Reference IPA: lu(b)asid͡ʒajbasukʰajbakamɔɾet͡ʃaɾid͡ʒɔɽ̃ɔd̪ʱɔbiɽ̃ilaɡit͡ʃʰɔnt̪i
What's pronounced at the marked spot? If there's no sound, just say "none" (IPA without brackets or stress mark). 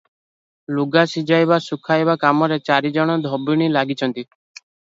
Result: ɡ